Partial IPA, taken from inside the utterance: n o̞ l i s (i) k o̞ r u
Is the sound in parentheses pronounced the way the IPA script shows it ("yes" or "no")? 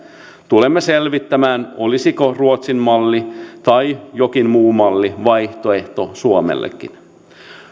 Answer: yes